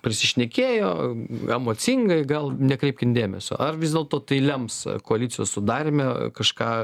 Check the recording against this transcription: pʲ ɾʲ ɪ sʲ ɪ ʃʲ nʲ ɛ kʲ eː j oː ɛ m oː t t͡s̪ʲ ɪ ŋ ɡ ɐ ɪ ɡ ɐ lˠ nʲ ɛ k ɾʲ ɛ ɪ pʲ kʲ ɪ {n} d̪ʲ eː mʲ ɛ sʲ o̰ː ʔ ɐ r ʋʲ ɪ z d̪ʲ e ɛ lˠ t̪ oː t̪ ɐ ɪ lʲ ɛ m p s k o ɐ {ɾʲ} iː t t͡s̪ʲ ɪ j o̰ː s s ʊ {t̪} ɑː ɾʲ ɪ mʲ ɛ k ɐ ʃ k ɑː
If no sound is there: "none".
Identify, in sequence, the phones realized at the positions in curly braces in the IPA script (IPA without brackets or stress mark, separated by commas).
n, lʲ, d̪